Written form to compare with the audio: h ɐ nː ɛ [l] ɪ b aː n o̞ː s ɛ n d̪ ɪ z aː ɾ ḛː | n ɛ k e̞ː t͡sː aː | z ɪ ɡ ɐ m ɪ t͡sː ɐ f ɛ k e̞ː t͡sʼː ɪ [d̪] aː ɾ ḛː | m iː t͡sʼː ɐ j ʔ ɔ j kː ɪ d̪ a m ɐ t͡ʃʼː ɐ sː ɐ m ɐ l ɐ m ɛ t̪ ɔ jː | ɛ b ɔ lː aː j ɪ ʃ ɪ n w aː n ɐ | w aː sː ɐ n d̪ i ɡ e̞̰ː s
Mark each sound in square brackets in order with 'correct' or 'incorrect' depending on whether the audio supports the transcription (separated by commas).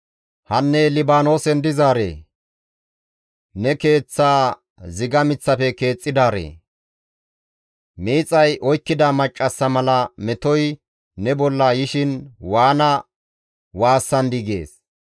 correct, correct